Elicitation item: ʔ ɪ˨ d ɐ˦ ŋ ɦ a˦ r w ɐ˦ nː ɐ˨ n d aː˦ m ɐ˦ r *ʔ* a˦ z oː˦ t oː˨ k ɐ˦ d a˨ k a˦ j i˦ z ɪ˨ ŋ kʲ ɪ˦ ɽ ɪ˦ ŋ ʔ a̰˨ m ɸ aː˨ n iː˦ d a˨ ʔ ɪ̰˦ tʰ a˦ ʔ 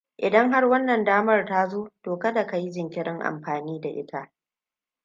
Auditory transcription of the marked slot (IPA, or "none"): t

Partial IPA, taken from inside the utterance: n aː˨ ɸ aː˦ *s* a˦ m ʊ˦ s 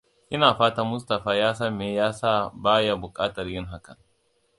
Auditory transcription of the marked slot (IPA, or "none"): t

